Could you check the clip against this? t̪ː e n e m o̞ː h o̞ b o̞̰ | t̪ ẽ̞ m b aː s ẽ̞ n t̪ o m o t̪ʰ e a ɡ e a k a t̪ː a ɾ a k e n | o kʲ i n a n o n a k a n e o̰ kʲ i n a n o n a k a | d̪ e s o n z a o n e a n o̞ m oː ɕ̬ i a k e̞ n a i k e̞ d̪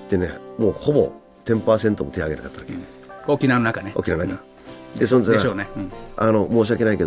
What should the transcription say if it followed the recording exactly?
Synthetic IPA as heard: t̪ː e n e m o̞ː h o̞ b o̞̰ | t̪ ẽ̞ m p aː s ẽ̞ n t̪ o m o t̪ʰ e a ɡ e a k a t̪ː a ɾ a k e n | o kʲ i n a n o n a k a n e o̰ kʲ i n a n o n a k a | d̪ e s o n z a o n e a n o̞ m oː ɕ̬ i a k e̞ n a i k e̞ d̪